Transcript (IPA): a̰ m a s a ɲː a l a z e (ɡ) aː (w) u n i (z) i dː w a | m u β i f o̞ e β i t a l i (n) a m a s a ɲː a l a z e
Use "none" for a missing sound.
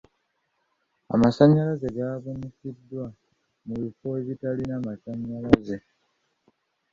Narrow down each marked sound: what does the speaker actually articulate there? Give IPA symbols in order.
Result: ɡ, β, s, n

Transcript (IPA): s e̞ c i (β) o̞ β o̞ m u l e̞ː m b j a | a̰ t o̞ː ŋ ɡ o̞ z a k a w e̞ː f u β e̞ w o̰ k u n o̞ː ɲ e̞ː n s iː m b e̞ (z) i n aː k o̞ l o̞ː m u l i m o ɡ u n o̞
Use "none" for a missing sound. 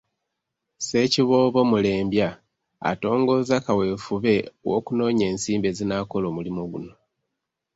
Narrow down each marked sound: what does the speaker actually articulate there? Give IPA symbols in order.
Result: β, z

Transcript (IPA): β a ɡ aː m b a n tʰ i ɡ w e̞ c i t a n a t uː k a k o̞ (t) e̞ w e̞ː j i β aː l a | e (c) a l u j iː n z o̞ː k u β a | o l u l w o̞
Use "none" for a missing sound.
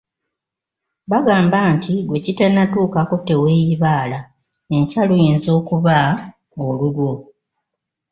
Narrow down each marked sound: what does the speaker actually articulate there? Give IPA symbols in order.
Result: t, c

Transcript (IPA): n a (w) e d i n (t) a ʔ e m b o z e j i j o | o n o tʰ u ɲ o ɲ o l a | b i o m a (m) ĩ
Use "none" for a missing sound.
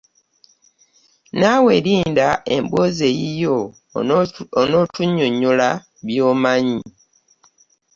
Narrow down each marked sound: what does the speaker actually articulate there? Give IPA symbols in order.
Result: w, d, ɲ

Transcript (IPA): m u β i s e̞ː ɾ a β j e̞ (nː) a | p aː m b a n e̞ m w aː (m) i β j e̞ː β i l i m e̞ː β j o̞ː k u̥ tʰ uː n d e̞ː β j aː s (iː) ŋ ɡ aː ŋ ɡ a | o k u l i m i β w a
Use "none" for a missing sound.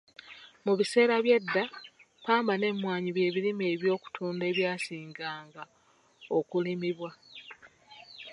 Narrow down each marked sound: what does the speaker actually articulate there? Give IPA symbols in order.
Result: dː, ɲ, iː

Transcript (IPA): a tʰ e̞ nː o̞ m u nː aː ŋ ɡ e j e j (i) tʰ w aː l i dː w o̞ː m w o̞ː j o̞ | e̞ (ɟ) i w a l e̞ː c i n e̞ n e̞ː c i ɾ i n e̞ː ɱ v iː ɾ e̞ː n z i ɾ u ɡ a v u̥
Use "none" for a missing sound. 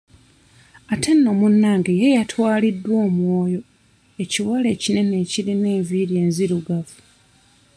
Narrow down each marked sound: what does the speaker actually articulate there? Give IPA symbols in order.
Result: a, c

